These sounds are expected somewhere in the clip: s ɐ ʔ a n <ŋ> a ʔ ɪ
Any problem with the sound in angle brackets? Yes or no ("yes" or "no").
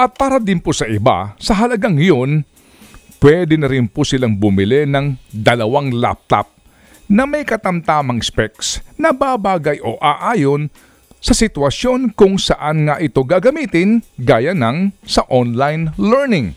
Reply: no